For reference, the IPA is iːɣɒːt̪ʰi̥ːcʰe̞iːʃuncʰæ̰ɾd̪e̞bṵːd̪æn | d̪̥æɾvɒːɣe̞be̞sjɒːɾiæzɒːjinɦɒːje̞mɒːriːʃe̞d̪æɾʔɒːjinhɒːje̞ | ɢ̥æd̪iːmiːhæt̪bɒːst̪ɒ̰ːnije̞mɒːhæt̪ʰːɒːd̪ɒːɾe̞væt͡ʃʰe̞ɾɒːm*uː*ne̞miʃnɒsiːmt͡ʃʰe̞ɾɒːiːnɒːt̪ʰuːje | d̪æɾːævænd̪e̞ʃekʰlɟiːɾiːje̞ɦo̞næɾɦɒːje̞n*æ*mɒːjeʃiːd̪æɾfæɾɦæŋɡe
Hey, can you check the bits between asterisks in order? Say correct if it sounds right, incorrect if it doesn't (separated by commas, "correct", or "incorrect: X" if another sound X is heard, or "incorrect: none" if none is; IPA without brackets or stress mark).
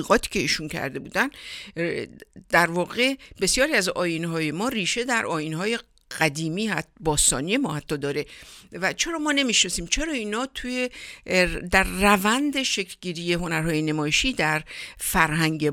incorrect: ɒː, incorrect: e